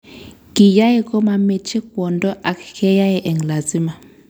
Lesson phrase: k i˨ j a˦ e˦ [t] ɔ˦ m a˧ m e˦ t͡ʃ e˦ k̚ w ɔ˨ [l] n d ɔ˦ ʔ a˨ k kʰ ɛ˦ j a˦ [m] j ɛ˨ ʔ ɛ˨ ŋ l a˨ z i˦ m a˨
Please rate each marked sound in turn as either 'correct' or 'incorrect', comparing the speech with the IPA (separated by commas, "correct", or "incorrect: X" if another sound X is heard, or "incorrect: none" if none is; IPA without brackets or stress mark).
incorrect: k, incorrect: none, incorrect: none